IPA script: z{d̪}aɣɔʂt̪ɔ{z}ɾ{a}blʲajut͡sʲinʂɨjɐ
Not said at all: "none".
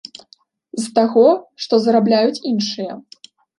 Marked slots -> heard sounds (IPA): t̪, z, a

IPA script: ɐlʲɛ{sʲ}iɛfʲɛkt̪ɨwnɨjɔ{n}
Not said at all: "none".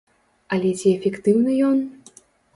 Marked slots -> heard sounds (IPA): t͡sʲ, n

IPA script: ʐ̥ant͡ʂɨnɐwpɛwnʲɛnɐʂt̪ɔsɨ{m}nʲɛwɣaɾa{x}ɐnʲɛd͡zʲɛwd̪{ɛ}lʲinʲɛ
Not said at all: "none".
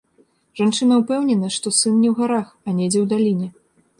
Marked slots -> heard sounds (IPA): n, x, a

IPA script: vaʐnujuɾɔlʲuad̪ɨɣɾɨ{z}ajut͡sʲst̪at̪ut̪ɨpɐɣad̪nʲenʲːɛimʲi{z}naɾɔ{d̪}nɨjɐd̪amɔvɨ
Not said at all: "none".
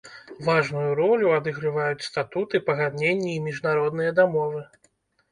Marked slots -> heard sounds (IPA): v, ʐ, d̪

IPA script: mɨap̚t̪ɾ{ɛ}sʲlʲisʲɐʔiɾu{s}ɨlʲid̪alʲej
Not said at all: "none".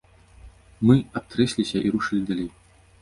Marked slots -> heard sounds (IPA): ɛ, ʂ

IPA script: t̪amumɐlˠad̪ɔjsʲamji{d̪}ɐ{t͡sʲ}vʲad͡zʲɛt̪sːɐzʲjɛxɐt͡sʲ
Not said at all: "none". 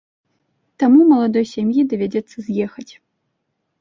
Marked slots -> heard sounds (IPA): d̪, none

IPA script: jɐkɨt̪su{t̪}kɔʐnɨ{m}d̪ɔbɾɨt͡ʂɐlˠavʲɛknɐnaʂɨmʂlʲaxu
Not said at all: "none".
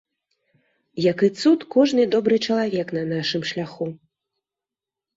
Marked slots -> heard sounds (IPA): t̪, none

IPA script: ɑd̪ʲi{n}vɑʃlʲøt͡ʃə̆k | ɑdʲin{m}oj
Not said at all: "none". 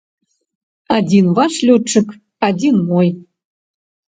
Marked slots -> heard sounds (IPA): n, m

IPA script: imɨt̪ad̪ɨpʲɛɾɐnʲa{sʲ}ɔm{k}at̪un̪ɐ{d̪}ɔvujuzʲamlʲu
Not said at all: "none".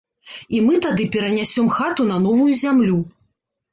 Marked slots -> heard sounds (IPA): sʲ, x, n̪

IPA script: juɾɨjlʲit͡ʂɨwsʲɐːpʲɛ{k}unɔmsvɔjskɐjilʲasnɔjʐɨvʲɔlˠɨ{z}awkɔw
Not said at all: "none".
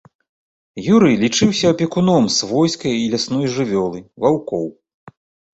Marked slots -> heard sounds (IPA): k, v

